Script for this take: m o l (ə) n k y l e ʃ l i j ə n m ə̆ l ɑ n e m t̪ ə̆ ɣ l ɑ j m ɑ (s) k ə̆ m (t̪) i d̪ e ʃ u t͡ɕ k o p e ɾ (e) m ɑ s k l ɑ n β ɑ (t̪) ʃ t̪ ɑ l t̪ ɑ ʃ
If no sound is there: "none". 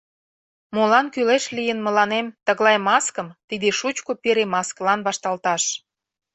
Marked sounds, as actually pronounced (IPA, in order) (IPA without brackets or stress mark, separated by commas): ɑ, s, t̪, e, none